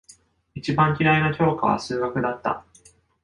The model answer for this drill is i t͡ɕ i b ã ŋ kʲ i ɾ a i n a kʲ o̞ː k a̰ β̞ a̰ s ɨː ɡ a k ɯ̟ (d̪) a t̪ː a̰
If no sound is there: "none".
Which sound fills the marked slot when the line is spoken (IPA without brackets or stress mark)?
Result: d̪